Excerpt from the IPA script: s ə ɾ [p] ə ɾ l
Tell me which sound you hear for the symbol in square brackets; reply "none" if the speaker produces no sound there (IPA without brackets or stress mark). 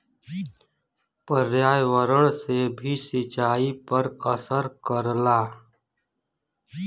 k